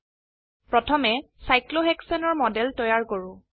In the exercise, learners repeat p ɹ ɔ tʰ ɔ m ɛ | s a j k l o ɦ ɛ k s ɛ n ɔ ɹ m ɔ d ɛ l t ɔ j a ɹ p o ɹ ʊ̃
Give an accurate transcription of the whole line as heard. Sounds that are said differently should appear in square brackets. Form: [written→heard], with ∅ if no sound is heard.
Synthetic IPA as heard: p ɹ ɔ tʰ ɔ m ɛ | s a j k l o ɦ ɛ k s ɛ n ɔ ɹ m ɔ d ɛ l t ɔ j a ɹ [p→k] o ɹ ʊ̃